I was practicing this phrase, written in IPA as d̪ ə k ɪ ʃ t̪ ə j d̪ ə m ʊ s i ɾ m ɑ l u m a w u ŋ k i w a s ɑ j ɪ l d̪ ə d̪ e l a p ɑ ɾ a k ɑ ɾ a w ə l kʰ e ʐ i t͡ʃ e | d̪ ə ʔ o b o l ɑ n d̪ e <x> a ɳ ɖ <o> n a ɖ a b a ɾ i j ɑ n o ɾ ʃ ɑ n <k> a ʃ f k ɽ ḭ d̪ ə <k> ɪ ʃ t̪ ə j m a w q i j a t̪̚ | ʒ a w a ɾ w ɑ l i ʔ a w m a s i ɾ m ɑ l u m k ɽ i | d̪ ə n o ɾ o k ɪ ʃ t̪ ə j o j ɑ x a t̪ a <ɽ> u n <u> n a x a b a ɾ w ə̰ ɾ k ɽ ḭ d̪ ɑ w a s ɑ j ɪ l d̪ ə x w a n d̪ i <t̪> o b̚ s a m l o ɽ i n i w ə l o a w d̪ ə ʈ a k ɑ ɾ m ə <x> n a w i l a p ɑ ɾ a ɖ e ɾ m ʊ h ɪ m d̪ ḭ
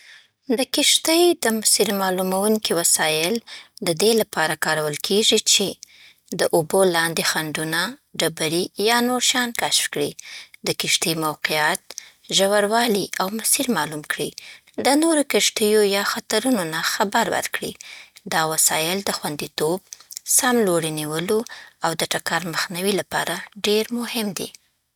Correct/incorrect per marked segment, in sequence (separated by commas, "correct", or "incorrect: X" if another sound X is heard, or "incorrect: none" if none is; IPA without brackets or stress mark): correct, incorrect: u, correct, correct, incorrect: ɾ, incorrect: o, correct, correct